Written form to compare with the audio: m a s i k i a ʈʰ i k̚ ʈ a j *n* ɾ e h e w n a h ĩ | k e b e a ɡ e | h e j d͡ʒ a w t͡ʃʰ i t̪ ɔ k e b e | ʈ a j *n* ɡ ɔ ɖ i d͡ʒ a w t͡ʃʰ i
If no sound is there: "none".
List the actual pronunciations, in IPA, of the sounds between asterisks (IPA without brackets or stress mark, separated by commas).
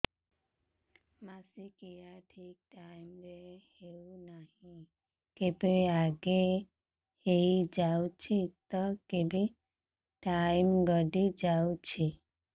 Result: m, m